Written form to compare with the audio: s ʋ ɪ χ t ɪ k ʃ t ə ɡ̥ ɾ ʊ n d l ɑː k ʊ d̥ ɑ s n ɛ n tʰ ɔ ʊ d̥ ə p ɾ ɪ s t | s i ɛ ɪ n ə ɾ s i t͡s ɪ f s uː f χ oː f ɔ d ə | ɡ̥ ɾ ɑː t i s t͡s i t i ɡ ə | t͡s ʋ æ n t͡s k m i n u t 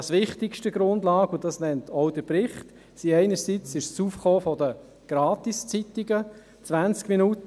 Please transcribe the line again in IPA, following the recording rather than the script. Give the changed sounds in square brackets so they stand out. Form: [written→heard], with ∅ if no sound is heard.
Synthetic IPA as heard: s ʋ ɪ χ t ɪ k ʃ t ə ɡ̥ ɾ ʊ n d l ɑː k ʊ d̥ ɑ s n ɛ n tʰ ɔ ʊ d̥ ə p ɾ ɪ [s→χ] t | s i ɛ ɪ n ə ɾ s i t͡s ɪ [f→ʃ] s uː f χ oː f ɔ d ə | ɡ̥ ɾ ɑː t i s t͡s i t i ɡ ə | t͡s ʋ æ n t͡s k m i n u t